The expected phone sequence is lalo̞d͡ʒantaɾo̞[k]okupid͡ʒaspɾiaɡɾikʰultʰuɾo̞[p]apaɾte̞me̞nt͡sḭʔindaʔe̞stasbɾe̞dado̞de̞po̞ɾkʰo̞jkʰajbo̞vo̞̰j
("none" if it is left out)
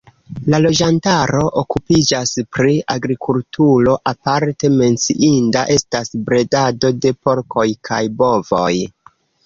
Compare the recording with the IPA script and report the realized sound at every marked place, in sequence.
ʔ, ʔ

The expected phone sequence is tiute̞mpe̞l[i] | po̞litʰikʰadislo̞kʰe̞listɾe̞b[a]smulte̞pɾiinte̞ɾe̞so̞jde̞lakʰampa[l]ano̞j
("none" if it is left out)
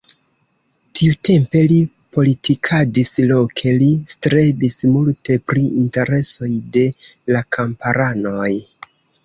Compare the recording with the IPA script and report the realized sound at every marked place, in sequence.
i, i, ɾ

